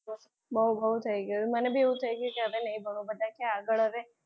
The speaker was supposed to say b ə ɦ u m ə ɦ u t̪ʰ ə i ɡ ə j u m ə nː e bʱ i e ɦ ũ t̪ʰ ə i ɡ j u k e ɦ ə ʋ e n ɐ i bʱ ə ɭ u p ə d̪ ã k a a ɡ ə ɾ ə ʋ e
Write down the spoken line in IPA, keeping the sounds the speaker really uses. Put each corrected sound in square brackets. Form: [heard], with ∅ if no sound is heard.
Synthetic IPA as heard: b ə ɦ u [b] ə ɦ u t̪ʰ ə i ɡ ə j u m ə [n] e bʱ i e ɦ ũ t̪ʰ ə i ɡ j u k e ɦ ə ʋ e n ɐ i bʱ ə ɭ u [b] ə d̪ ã k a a ɡ ə [ɭ] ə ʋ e